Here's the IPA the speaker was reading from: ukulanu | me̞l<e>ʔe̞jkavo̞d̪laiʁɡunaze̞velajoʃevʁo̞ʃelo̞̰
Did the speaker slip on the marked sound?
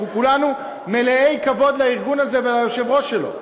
no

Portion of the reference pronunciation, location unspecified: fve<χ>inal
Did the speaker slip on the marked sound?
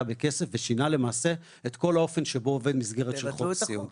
yes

